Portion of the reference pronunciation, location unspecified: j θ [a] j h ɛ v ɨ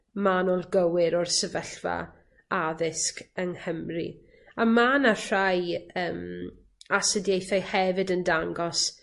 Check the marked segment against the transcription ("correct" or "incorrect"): correct